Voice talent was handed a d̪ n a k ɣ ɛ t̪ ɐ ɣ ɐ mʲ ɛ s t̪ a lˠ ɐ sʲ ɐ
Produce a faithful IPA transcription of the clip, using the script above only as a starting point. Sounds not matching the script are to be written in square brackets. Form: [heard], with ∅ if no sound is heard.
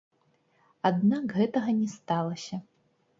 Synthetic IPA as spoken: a d̪ n a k ɣ ɛ t̪ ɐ ɣ ɐ [nʲ] ɛ s t̪ a lˠ ɐ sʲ ɐ